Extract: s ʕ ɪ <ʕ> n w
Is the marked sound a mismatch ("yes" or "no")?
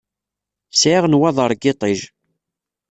yes